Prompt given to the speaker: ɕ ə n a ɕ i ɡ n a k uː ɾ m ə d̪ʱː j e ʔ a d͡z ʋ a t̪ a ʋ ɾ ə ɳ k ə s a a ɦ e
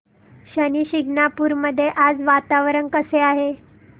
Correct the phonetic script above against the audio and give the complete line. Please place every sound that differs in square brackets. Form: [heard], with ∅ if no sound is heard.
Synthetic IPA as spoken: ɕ ə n [i] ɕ i ɡ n a [p] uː ɾ m ə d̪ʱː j e ʔ a d͡z ʋ a t̪ a ʋ ɾ ə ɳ k ə s [e] a ɦ e